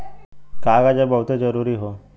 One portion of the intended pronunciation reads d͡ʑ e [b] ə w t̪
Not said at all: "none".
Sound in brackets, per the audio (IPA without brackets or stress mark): b